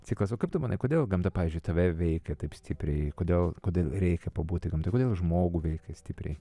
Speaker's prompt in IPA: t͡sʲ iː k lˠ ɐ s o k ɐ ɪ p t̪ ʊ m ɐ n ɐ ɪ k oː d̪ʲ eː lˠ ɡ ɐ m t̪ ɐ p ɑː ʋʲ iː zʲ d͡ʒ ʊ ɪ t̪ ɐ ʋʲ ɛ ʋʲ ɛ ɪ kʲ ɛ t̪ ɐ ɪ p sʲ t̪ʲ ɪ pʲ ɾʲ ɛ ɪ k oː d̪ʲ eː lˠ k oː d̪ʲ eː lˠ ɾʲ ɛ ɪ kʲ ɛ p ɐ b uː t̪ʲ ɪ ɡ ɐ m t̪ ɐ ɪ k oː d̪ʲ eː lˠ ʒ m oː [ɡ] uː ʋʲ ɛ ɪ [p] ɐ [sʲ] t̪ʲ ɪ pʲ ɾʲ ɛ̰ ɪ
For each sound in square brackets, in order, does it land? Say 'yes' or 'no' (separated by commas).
yes, no, yes